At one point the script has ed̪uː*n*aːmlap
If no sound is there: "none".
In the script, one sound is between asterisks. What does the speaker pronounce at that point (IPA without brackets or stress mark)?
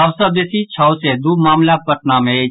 m